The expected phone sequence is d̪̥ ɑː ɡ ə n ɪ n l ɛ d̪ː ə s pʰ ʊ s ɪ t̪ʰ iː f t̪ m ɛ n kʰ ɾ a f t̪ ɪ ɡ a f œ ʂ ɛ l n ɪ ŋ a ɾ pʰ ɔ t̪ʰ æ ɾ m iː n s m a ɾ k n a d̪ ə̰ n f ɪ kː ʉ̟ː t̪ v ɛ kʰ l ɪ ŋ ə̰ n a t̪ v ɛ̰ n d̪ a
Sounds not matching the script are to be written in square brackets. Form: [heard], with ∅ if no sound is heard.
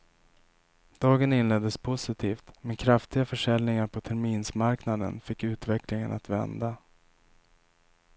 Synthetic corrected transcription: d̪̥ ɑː ɡ ə n ɪ n l ɛ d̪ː ə s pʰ ʊ s ɪ t̪ʰ iː f t̪ m ɛ n kʰ ɾ a f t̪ ɪ ɡ a f œ ʂ ɛ l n ɪ ŋ a ɾ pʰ ɔ t̪ʰ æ ɾ m iː n s m a ɾ k n a d̪ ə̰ n f ɪ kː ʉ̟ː t̪ v ɛ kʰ l ɪ ŋ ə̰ n a t̪ v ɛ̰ n d̪ a